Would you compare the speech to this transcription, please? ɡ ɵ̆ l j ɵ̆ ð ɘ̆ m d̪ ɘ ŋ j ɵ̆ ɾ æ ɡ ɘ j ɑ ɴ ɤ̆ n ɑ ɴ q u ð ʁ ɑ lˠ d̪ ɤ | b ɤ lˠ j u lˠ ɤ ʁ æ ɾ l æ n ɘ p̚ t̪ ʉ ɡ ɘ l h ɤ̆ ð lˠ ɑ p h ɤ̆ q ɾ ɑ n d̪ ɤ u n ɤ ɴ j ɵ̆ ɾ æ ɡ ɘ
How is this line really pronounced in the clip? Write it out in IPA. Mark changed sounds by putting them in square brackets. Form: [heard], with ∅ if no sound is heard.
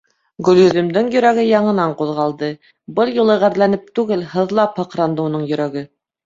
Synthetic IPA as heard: ɡ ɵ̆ l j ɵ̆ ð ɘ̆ m d̪ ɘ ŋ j ɵ̆ ɾ æ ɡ ɘ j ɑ ɴ ɤ̆ n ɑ ɴ q u ð ʁ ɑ lˠ d̪ ɤ | b ɤ lˠ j u lˠ ɤ ʁ æ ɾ l æ n ɘ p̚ t̪ ʉ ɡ ɘ l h ɤ̆ ð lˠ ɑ p h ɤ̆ q ɾ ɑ n d̪ ɤ u n ɤ ɴ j ɵ̆ ɾ æ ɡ ɘ